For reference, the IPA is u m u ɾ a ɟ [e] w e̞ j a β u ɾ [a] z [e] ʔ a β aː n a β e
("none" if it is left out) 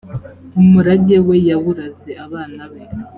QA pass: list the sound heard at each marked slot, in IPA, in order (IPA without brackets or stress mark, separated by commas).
e, a, e